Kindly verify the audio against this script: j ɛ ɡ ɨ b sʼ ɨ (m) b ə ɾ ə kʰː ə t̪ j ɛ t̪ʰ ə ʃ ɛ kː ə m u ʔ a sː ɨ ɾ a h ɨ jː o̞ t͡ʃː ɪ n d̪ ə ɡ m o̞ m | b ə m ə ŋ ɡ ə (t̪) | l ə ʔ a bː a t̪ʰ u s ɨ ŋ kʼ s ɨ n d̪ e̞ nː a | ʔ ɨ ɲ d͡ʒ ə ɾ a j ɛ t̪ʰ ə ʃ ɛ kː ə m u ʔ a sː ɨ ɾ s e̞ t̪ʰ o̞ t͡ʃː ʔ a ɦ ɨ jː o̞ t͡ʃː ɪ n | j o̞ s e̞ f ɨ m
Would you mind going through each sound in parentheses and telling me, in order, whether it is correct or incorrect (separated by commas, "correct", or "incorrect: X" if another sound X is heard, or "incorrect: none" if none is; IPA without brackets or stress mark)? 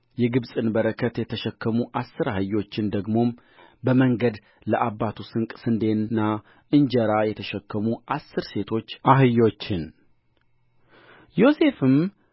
incorrect: n, incorrect: d̪